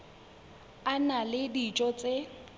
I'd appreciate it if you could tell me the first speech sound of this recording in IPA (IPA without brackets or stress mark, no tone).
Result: a